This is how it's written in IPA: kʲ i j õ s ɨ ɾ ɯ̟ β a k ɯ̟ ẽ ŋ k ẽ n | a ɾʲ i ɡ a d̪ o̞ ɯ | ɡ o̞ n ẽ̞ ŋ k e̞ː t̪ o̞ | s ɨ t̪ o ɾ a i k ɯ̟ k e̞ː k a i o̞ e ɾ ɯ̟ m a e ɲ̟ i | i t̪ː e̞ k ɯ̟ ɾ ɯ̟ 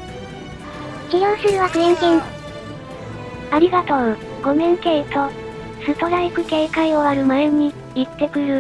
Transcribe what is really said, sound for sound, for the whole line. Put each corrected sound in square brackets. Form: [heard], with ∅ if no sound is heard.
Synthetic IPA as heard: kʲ i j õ s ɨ ɾ ɯ̟ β a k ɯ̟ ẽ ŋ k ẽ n | a ɾʲ i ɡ a [t̪] o̞ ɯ | ɡ o̞ [m] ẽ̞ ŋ k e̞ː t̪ o̞ | s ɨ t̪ o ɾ a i k ɯ̟ k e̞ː k a i o̞ [a] ɾ ɯ̟ m a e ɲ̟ i | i t̪ː e̞ k ɯ̟ ɾ ɯ̟

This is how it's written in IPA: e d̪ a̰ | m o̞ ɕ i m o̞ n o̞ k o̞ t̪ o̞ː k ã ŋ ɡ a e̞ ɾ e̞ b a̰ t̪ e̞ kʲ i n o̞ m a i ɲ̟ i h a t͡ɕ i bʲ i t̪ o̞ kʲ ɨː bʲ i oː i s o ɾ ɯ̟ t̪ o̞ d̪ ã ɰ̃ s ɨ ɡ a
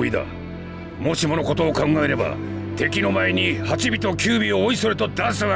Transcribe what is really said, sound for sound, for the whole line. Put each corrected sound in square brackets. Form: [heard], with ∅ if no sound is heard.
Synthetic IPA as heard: [i] d̪ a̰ | m o̞ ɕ i m o̞ n o̞ k o̞ t̪ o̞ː k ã ŋ ɡ a e̞ ɾ e̞ b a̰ t̪ e̞ kʲ i n o̞ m a [e] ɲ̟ i h a t͡ɕ i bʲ i t̪ o̞ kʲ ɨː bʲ i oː i s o ɾ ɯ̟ t̪ o̞ d̪ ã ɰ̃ s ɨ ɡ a

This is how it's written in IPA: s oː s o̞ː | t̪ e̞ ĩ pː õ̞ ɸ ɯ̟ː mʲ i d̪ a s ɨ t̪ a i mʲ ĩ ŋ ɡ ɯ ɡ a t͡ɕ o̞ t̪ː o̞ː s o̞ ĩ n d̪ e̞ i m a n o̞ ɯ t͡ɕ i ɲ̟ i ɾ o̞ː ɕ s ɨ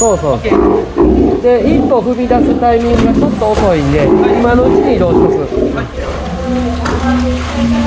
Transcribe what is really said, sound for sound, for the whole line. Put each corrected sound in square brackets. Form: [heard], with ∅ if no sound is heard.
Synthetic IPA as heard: s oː s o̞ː | [d̪] e̞ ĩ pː [o̞] ɸ [ɯ̟] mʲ i d̪ a s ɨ t̪ a i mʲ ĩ ŋ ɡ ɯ ɡ a t͡ɕ o̞ t̪ː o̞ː s o̞ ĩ n d̪ e̞ i m a n o̞ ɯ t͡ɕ i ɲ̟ i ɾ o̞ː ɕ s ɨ

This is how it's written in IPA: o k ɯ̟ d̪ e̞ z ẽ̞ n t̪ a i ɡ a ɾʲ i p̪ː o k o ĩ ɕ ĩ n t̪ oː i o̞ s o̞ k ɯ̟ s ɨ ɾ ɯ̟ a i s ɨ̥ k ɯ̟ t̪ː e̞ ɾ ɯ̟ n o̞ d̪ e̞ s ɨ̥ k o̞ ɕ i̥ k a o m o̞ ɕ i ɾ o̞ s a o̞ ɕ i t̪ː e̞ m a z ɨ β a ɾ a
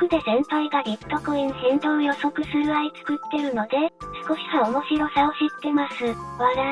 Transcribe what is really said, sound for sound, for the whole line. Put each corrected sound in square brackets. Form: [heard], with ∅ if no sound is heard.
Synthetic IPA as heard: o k ɯ̟ d̪ e̞ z ẽ̞ n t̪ a i ɡ a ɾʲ i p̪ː o k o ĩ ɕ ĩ n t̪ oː [j] o̞ s o̞ k ɯ̟ s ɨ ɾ ɯ̟ a i [t͡s] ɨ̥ k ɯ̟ t̪ː e̞ ɾ ɯ̟ n o̞ d̪ e̞ s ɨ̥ k o̞ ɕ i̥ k a o m o̞ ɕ i ɾ o̞ s a o̞ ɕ i t̪ː e̞ m a [s] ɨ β a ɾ a

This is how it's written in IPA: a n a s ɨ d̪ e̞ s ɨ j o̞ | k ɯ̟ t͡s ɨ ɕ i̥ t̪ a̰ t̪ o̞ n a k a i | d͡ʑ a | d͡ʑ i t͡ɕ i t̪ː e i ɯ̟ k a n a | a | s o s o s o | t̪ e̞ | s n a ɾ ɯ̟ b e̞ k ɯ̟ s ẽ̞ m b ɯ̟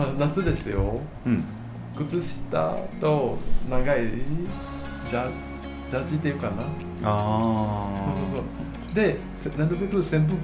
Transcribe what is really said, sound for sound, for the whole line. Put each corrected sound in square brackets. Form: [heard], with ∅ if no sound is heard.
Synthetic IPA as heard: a n a [t͡s] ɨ d̪ e̞ s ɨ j o̞ | k ɯ̟ t͡s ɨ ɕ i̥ t̪ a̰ t̪ o̞ n a [ɡ] a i | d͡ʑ a | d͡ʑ [a] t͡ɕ i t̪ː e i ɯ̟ k a n a | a | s o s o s o | [d̪] e̞ | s n a ɾ ɯ̟ b e̞ k ɯ̟ s ẽ̞ m b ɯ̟

